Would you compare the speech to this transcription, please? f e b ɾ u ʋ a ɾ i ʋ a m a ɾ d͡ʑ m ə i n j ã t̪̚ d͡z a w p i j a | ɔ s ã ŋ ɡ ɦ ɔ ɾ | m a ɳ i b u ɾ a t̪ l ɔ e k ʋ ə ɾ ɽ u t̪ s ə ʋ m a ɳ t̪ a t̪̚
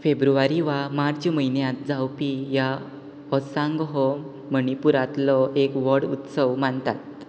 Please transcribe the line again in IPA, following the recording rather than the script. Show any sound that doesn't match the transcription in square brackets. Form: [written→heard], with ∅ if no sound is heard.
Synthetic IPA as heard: f e b ɾ u ʋ a ɾ i ʋ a m a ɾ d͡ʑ m ə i n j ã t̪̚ d͡z a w p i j a | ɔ s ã ŋ ɡ ɦ ɔ [ɾ→∅] | m [a→ə] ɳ i [b→p] u ɾ a t̪ l ɔ e k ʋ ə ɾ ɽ u t̪ s ə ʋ m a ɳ t̪ a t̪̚